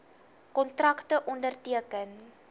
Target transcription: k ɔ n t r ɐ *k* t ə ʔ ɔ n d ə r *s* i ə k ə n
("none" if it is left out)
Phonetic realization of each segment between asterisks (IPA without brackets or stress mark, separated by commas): k, t